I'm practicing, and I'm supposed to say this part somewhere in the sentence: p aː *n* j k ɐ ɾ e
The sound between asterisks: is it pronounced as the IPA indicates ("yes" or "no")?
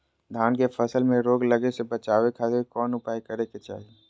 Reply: no